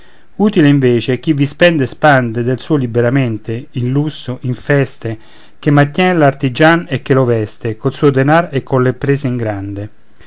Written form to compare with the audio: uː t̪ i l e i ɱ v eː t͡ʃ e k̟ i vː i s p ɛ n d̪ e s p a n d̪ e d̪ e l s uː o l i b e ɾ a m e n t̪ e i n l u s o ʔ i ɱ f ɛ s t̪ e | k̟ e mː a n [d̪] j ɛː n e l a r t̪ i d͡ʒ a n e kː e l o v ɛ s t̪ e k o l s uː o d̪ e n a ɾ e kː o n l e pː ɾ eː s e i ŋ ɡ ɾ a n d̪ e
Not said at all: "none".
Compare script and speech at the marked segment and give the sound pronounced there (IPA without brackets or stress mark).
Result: t̪